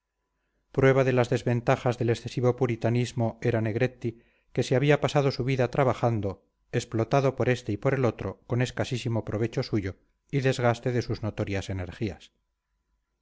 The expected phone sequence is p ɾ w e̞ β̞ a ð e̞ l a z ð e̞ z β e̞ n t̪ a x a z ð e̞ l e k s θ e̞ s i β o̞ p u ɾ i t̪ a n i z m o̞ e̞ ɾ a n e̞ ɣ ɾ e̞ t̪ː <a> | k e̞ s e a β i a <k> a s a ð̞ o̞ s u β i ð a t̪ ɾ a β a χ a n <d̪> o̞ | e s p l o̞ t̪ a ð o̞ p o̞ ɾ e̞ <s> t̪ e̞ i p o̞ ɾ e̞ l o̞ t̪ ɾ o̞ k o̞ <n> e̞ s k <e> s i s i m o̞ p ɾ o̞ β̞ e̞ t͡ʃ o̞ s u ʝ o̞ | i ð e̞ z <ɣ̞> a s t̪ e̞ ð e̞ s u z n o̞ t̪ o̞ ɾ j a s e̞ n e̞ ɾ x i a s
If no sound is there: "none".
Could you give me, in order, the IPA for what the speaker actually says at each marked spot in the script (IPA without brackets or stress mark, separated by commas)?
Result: i, p, d̪, s, n, a, ɣ̞